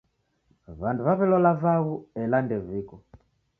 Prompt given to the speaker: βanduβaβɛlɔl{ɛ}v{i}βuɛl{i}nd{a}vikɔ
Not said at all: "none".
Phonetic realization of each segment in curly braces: a, a, a, ɛ

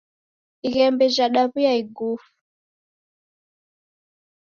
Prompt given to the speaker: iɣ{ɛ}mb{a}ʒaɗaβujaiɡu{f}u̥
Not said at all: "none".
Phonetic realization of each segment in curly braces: ɛ, ɛ, f

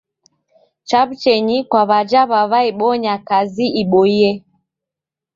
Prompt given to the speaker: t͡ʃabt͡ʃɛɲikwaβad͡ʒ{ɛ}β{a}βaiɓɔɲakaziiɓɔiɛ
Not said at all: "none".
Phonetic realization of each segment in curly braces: a, a

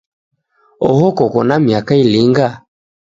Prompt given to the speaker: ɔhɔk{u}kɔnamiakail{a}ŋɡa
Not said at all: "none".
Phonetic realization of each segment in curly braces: ɔ, i

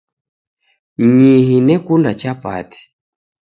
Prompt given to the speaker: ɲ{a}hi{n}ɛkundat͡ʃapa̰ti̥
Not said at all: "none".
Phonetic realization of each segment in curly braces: i, n

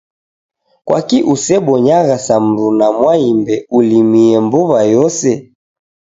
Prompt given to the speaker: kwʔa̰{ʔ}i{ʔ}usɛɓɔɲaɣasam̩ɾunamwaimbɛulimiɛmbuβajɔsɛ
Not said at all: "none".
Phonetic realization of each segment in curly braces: k, ʔ

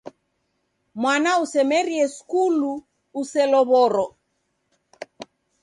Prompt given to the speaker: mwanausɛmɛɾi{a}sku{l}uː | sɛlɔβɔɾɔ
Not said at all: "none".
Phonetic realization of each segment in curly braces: ɛ, l

